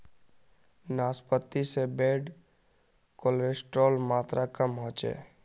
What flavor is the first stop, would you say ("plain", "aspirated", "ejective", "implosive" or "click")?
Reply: plain